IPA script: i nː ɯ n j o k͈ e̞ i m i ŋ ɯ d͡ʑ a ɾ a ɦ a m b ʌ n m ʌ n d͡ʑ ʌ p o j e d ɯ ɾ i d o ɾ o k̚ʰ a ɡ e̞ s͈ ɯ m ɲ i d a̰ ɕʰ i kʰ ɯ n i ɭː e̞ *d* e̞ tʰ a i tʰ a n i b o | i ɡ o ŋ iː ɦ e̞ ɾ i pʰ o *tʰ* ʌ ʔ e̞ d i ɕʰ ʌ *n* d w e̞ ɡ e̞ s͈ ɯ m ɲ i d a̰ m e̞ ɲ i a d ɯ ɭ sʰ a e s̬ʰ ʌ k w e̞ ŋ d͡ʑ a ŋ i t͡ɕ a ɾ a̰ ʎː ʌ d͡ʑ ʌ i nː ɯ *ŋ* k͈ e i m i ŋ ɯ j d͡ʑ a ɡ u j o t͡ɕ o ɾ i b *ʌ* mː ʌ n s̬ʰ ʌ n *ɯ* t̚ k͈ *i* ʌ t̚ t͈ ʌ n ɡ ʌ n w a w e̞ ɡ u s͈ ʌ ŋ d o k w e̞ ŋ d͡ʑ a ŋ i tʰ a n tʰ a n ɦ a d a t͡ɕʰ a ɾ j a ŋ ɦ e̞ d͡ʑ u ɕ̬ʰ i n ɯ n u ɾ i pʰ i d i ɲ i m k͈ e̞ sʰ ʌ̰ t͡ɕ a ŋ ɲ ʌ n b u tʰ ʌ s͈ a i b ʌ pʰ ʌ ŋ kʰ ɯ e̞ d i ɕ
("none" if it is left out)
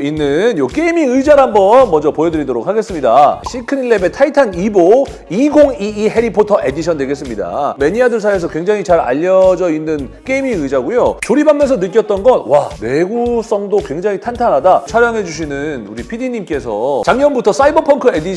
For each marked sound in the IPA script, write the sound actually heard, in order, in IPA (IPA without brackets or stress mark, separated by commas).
b, tʰ, n, n, a, ɯ, j